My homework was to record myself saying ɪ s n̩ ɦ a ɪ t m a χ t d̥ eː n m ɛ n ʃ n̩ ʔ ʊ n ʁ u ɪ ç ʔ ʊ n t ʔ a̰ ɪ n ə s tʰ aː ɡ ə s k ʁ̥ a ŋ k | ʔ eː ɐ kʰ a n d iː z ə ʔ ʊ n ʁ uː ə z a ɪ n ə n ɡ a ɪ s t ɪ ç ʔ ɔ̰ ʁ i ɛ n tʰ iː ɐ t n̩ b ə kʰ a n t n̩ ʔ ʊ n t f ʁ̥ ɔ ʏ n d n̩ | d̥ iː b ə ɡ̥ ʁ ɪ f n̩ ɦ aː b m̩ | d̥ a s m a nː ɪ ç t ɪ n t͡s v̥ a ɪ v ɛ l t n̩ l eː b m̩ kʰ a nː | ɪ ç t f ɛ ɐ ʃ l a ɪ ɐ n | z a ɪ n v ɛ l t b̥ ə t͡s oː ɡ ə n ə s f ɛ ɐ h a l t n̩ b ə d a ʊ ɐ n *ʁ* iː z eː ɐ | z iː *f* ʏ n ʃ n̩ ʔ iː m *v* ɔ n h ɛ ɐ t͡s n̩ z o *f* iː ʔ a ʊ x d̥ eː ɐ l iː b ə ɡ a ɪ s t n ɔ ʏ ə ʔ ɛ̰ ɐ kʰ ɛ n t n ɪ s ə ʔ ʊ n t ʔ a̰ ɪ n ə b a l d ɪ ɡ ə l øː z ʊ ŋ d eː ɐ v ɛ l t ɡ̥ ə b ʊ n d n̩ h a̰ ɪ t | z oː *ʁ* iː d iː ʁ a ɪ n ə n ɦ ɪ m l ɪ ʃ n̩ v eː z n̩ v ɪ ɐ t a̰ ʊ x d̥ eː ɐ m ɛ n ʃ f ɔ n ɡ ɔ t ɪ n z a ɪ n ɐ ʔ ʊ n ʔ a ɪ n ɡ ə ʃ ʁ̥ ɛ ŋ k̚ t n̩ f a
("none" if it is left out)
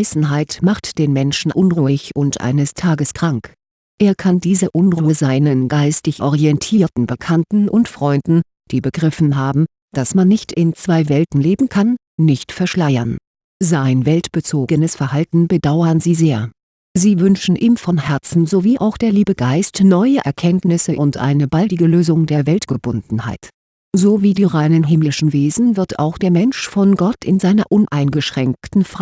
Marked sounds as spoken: z, v, f, v, v

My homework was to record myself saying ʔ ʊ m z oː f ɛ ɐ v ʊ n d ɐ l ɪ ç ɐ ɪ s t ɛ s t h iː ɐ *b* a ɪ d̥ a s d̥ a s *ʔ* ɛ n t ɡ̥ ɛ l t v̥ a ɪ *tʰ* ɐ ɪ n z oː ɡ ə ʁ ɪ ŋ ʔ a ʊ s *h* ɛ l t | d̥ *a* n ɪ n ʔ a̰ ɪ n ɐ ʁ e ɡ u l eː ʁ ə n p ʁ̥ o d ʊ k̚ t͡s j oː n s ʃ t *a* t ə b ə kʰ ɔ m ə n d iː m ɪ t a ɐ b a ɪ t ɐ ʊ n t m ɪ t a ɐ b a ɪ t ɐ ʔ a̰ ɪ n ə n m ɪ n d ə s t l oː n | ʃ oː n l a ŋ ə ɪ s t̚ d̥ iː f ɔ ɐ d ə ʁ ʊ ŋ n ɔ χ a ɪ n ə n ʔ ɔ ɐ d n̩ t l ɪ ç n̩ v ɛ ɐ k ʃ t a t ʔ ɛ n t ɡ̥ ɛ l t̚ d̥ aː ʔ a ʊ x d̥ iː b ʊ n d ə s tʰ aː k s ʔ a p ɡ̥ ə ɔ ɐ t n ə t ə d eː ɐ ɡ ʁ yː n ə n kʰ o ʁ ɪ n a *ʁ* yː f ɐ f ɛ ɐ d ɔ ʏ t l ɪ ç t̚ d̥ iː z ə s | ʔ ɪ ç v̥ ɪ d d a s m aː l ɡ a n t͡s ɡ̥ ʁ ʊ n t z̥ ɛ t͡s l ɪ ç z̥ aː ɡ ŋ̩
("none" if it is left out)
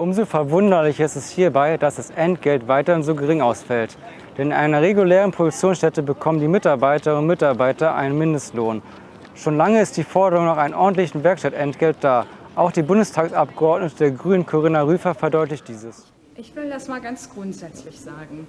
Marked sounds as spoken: b, ʔ, t, f, ɛ, ɛ, ʁ

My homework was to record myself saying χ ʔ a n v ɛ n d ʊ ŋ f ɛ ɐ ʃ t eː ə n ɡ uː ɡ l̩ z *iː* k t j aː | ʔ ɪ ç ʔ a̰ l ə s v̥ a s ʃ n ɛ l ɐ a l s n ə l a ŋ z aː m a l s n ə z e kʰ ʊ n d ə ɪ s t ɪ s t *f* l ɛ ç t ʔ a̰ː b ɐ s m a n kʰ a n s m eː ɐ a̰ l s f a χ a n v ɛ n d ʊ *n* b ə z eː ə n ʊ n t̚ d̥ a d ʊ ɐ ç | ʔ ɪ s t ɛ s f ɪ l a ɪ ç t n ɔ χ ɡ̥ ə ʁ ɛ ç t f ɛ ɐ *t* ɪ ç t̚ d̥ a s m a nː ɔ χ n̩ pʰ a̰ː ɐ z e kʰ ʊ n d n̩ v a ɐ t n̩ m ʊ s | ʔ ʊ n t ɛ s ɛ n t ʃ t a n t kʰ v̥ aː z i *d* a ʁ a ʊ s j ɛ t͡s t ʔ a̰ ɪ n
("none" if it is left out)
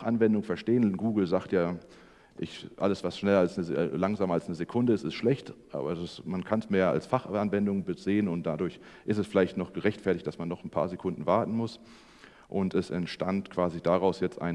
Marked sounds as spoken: aː, ʃ, ŋ, t, d

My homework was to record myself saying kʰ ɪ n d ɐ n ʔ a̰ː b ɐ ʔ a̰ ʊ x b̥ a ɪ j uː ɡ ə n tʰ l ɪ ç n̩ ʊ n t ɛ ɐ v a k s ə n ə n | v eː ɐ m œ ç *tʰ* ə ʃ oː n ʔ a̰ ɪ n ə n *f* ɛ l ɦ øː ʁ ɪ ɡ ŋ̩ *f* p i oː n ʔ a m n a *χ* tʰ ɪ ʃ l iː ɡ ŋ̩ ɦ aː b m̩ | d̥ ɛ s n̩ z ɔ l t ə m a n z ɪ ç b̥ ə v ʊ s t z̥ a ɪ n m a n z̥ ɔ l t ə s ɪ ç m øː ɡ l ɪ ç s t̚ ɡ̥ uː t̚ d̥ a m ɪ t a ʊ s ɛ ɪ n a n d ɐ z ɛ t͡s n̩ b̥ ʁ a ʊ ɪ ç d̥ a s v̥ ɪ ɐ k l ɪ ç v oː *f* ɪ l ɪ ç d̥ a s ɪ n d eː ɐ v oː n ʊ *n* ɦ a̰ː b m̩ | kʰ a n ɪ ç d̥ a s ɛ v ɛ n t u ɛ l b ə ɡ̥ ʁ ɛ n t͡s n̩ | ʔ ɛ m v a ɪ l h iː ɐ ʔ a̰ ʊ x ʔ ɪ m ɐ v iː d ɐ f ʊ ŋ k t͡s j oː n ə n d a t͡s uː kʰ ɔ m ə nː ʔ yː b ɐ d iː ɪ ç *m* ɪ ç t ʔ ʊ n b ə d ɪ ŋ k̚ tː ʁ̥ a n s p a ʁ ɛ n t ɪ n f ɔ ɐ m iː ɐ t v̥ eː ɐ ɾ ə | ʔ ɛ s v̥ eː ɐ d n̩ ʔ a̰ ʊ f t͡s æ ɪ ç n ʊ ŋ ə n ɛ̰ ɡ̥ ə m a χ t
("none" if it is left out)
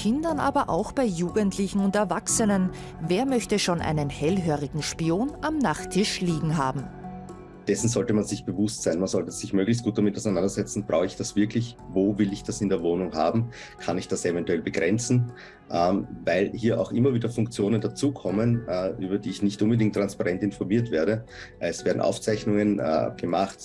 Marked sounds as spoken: t, h, ʃ, χ, v, ŋ, n

